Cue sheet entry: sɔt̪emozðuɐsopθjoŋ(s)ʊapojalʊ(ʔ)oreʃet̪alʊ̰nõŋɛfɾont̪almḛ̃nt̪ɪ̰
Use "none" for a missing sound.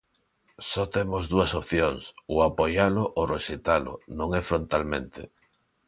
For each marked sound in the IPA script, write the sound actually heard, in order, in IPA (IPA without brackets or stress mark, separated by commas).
s, ʔ